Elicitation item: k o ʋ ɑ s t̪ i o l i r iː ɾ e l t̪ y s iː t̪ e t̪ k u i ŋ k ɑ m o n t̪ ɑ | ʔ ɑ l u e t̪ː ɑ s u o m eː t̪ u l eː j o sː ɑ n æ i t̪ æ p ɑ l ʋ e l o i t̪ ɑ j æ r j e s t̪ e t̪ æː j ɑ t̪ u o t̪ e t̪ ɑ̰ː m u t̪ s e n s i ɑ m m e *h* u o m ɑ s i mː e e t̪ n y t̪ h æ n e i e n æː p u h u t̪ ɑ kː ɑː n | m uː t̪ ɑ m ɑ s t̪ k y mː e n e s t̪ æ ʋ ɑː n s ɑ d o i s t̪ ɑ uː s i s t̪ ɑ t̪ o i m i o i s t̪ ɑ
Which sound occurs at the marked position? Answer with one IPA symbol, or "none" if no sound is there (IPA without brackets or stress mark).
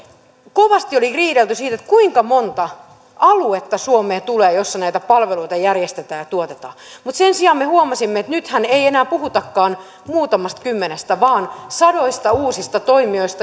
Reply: h